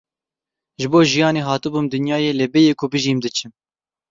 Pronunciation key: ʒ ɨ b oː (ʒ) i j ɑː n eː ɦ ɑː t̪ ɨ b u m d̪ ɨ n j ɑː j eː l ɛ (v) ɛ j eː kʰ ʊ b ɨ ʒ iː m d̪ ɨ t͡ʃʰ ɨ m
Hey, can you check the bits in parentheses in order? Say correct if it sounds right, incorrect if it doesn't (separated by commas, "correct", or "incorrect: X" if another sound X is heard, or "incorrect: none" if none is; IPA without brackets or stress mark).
correct, incorrect: b